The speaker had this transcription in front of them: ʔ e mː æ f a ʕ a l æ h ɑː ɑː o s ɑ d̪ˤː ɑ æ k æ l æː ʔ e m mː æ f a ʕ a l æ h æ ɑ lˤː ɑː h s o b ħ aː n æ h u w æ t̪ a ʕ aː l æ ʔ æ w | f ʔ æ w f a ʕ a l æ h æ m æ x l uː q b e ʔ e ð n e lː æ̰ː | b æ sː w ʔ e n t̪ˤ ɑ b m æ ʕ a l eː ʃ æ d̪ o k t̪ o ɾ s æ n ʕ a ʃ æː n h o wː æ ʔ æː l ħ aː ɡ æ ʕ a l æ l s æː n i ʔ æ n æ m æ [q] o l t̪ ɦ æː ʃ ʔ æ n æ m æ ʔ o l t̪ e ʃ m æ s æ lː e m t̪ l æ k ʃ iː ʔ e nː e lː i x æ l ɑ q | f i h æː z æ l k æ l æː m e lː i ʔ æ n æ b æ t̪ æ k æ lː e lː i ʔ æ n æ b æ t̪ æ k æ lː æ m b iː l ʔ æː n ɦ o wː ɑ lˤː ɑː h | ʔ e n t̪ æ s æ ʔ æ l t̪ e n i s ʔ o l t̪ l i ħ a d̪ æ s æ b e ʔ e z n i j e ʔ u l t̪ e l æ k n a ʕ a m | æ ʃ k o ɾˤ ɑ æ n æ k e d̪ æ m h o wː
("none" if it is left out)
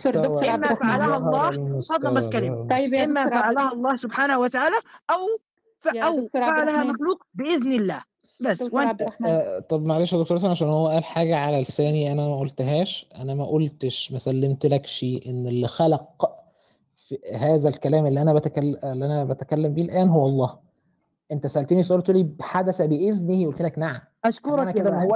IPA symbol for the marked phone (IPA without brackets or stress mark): ʔ